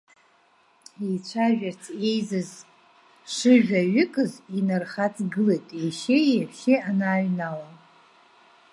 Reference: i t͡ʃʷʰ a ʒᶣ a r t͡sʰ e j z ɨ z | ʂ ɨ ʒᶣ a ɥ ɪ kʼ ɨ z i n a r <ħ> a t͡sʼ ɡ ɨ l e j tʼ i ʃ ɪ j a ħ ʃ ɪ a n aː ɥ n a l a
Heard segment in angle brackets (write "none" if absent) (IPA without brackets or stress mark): χ